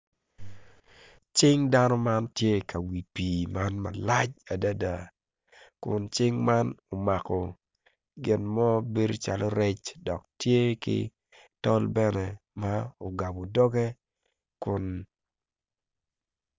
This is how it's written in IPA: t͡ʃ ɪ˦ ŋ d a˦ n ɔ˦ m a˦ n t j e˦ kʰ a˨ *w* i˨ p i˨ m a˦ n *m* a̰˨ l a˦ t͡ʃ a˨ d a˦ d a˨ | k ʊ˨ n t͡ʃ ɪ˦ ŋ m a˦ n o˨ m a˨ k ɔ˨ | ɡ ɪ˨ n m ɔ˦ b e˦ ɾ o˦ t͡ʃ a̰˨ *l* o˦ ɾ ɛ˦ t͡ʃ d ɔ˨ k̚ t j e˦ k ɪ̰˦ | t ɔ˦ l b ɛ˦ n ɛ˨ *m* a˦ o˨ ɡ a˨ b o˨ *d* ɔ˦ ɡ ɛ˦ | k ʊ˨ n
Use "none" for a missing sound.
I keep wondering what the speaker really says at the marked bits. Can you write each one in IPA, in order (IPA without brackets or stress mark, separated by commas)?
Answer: w, m, l, m, d